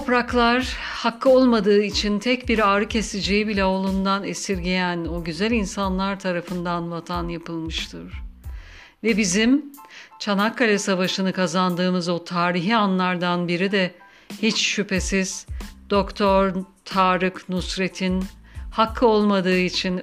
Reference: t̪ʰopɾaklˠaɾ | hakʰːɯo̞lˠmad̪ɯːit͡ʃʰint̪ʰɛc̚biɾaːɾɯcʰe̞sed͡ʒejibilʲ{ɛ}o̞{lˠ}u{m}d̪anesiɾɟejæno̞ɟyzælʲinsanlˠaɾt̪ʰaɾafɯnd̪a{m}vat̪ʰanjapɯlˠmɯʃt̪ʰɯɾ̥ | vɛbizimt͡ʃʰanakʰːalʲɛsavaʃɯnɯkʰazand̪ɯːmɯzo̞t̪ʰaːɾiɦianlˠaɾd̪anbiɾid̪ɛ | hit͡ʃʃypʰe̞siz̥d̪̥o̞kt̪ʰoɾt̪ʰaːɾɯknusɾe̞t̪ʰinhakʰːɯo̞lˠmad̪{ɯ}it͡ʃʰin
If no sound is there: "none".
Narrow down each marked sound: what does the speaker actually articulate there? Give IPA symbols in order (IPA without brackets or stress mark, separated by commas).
ɛ, lˠ, n, n, ɯː